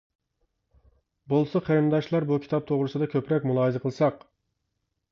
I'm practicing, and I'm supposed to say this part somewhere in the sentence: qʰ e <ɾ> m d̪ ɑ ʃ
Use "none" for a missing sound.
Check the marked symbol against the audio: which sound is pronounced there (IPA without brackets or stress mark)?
ɾ